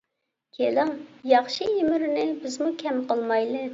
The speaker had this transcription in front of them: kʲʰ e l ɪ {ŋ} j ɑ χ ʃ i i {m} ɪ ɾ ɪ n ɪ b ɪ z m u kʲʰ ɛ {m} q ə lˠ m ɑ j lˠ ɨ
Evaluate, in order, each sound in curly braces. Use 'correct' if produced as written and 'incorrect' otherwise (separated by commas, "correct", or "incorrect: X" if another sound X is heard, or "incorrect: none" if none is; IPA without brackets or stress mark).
correct, correct, correct